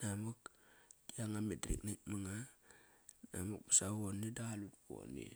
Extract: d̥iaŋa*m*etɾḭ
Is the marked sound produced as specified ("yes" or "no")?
yes